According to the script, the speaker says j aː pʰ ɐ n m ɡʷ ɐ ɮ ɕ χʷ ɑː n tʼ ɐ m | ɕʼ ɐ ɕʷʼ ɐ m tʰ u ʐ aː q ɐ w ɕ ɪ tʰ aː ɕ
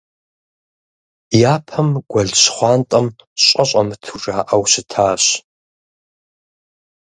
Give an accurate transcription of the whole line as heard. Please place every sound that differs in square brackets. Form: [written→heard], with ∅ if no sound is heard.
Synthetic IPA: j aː pʰ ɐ [n→∅] m ɡʷ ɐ ɮ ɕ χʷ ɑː n tʼ ɐ m | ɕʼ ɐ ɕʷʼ ɐ m tʰ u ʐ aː [q→ʔ] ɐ w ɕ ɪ tʰ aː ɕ